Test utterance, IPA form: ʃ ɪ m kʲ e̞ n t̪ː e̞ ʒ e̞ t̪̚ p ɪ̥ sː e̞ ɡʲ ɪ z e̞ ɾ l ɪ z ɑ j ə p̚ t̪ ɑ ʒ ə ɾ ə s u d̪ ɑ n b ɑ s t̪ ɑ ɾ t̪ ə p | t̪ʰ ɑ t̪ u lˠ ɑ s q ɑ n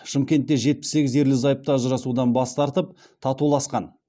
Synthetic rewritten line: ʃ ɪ m kʲ e̞ n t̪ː e̞ ʒ e̞ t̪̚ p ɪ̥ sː e̞ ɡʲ ɪ z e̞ ɾ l ɪ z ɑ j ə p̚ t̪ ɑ ʒ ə ɾ ɑ s u d̪ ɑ n b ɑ s t̪ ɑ ɾ t̪ ə p | t̪ʰ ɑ t̪ u lˠ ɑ s q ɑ n